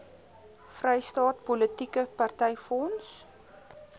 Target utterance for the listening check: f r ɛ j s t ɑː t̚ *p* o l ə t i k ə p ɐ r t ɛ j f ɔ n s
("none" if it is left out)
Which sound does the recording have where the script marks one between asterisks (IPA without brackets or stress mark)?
p